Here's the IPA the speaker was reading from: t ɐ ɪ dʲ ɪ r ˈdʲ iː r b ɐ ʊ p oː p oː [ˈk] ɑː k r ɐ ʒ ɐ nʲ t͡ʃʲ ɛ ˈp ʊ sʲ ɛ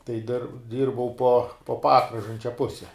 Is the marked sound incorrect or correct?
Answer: incorrect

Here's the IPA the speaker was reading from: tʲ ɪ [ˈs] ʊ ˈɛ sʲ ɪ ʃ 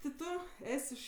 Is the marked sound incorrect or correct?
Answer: incorrect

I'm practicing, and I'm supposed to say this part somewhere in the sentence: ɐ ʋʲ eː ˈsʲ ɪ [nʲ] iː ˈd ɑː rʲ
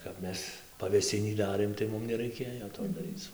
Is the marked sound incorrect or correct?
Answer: correct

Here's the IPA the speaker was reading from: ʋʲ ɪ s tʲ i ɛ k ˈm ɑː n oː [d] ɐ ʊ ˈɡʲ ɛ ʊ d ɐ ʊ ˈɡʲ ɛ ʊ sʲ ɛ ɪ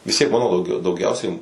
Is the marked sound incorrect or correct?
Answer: correct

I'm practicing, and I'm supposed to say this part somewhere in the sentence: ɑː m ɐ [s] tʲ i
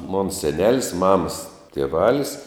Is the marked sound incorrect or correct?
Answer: correct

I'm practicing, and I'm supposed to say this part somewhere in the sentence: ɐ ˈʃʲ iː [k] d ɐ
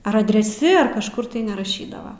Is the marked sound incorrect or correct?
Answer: incorrect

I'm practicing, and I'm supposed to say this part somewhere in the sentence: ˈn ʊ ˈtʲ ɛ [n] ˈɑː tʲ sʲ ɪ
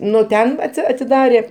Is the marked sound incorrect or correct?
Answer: correct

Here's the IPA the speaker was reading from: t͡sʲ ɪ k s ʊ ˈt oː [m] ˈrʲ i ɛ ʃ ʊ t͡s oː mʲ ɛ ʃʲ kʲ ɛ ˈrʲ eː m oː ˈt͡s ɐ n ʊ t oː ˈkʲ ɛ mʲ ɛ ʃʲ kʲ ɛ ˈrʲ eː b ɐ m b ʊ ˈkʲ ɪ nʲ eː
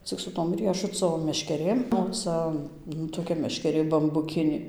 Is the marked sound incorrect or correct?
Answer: correct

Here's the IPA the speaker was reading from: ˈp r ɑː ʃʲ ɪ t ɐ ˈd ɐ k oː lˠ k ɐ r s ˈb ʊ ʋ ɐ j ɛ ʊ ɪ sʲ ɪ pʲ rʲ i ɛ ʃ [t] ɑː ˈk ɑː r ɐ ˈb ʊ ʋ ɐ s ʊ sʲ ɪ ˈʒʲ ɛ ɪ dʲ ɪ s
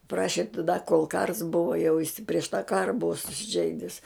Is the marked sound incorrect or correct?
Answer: correct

